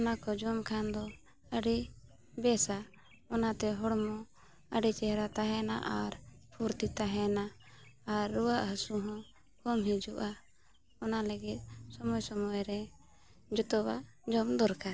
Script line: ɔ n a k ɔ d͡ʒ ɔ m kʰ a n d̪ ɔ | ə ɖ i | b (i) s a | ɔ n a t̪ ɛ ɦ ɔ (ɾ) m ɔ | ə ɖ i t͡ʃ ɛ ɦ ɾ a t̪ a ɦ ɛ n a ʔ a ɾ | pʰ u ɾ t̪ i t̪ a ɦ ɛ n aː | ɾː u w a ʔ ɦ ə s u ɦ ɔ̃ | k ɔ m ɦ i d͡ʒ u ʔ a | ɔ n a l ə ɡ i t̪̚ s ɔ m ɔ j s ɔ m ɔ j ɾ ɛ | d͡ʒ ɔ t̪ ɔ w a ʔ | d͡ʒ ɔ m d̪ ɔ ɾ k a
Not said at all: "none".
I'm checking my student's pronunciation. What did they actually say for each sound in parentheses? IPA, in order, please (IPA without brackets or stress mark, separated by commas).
ɛ, ɽ